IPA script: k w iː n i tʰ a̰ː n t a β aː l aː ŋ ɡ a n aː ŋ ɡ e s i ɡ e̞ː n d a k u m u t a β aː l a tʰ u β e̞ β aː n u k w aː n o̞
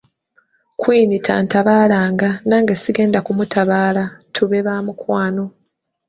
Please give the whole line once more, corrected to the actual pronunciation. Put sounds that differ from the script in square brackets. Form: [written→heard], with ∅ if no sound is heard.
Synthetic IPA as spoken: k w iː n i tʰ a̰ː n t a β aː l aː ŋ ɡ a n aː ŋ ɡ e s i ɡ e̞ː n d a k u m u t a β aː l a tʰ u β e̞ β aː [n→m] u k w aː n o̞